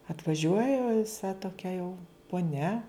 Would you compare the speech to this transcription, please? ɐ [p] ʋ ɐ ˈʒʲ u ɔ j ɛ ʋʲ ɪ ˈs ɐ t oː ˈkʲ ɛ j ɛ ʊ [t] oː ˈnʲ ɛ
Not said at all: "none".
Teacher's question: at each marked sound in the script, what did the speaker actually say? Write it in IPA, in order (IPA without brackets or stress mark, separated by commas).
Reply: t, p